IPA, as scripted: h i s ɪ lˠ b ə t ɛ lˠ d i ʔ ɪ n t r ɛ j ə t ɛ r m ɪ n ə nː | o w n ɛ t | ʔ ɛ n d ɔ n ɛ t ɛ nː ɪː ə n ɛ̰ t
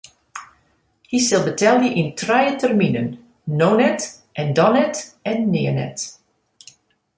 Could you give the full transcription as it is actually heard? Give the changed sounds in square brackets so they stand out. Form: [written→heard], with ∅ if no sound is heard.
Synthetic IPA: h i s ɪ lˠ b ə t ɛ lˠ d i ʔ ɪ n t r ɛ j ə t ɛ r m [ɪ→i] n ə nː | o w n ɛ t | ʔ ɛ n d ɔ n ɛ t ɛ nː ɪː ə n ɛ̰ t